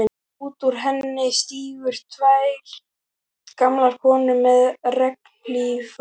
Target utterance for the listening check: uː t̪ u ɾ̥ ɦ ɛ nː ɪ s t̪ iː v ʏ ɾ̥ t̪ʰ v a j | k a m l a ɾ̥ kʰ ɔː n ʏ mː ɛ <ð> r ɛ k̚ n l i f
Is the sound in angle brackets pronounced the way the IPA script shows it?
yes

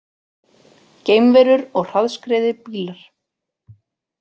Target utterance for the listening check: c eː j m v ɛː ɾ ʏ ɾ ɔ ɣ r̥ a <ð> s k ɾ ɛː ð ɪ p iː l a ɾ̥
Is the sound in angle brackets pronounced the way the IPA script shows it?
yes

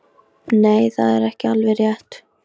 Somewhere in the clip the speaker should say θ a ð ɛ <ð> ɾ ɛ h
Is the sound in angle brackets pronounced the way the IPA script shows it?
no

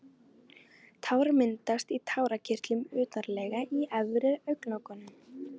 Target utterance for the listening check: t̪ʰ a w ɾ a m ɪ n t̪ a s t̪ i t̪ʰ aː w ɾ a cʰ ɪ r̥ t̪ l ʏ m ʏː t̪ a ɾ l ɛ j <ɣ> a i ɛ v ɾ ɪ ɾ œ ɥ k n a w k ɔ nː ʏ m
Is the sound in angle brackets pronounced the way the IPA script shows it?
yes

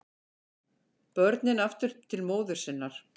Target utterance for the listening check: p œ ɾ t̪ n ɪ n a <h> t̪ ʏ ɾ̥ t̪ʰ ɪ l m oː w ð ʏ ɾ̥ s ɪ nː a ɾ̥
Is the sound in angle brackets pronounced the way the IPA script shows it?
no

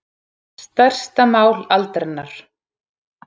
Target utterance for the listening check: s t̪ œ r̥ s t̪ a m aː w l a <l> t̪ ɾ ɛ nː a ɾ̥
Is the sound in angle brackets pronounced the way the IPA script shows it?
yes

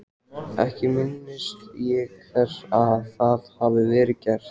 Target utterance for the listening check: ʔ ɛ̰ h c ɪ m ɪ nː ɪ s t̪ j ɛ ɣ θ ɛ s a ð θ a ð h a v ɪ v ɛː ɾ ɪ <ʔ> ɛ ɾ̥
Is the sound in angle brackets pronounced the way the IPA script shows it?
no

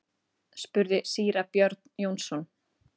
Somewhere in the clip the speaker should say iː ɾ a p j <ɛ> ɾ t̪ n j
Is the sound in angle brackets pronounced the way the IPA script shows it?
no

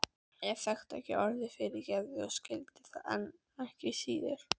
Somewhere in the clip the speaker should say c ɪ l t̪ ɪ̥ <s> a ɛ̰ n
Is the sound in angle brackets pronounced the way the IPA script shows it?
no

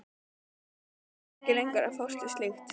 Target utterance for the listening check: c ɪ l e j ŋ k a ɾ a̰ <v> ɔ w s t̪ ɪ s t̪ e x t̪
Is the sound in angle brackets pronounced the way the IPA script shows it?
no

